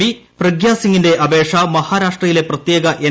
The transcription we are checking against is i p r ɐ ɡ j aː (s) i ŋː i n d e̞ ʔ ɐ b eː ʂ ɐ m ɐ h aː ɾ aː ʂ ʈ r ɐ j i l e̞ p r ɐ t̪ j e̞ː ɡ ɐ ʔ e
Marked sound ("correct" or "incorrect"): correct